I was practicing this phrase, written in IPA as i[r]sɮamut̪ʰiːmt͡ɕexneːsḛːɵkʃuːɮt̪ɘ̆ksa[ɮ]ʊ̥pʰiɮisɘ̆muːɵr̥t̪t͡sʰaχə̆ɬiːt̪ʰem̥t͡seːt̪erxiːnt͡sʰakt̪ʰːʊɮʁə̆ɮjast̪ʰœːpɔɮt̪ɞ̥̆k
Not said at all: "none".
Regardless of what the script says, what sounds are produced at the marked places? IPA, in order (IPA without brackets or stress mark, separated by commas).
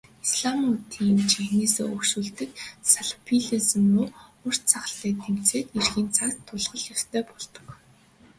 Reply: none, ɮ